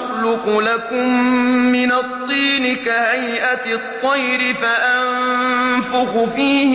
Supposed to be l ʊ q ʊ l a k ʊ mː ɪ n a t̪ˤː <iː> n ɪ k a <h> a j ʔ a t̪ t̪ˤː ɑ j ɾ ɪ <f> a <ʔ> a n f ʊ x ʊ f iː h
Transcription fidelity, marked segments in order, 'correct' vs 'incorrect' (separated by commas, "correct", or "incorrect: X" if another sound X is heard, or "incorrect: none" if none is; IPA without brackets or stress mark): correct, correct, correct, correct